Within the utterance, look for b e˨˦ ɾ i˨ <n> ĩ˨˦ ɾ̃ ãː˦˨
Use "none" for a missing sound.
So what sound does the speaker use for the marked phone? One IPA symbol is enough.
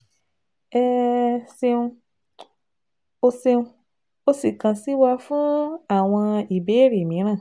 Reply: m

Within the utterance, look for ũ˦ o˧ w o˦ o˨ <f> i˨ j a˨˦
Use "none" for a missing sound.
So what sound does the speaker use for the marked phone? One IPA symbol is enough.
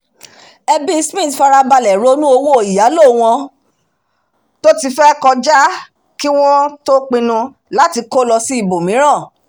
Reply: none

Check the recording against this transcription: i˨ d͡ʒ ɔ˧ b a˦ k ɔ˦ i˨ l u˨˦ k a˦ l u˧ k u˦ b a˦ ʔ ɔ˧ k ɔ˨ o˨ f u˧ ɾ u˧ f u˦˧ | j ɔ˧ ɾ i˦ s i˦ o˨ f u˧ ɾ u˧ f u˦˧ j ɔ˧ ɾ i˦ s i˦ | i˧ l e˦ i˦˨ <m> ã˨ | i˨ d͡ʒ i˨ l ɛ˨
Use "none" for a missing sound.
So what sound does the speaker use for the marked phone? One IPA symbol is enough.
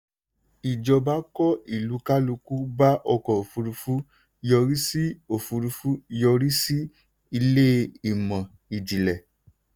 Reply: m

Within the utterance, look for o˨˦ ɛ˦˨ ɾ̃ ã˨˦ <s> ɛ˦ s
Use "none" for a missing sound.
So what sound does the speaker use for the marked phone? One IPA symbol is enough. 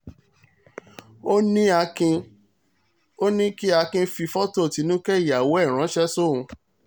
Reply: ʃ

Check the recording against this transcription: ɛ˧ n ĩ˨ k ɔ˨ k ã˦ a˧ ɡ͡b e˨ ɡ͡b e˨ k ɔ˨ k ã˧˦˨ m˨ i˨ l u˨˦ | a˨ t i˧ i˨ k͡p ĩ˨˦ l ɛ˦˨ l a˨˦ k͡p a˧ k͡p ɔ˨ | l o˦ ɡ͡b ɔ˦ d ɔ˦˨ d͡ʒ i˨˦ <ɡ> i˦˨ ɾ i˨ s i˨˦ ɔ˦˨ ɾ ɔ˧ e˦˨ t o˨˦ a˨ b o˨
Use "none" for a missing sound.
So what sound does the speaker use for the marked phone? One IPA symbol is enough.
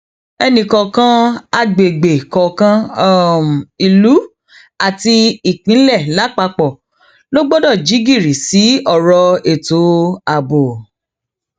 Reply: ɡ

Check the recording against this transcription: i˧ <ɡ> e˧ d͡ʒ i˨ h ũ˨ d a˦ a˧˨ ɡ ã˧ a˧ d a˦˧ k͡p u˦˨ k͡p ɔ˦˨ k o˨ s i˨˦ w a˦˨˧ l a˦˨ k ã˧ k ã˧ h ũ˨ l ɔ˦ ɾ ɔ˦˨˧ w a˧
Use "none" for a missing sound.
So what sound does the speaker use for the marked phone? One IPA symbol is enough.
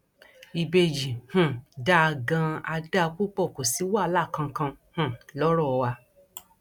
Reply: b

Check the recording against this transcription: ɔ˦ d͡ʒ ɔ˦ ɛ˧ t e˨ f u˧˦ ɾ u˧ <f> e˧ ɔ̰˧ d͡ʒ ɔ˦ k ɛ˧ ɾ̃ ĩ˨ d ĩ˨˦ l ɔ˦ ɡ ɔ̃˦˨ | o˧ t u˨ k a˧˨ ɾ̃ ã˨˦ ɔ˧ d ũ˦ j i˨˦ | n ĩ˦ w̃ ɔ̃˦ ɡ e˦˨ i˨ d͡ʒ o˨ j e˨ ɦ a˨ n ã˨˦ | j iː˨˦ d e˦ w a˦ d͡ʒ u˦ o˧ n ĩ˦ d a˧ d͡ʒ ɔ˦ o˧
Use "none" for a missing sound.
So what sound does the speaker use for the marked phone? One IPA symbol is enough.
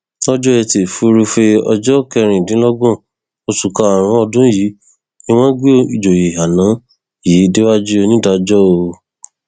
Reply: f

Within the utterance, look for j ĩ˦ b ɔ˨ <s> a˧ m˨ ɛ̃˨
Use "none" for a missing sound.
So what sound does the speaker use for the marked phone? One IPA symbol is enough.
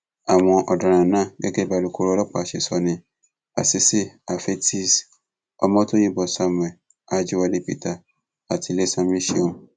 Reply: s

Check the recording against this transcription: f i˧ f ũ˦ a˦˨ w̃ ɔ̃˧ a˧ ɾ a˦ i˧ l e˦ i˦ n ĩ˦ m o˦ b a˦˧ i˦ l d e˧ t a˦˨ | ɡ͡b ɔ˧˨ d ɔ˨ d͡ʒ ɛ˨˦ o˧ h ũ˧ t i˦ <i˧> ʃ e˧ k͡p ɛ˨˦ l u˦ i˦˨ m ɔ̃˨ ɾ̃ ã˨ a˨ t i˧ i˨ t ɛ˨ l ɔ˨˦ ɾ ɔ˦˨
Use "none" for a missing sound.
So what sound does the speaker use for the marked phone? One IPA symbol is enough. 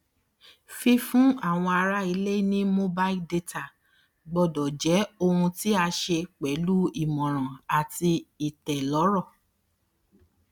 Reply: a˧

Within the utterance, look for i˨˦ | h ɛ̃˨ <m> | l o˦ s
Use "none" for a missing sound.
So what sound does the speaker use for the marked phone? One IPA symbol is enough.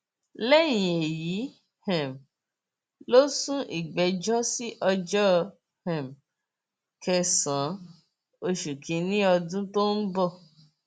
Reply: m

